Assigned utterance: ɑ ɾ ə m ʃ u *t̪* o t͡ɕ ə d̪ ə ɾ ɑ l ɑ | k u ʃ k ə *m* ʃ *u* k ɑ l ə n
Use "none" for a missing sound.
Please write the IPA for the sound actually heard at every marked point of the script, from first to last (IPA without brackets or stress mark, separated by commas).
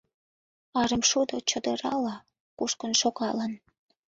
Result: d̪, n, o